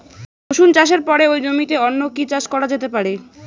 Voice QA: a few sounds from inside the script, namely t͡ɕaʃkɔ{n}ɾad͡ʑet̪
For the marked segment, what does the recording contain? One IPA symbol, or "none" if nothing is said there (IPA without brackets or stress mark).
none